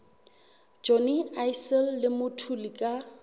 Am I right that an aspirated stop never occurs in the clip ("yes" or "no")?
no